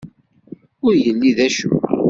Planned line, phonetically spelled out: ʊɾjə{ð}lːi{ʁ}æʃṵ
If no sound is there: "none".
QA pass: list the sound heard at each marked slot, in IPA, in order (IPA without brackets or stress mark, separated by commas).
none, ð